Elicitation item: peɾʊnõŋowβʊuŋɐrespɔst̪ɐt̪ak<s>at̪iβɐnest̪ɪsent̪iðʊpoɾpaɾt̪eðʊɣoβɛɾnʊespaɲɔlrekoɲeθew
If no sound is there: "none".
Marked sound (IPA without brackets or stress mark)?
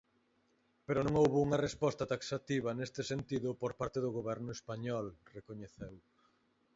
s